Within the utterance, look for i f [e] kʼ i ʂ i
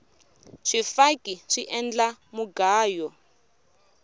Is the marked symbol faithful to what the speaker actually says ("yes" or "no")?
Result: no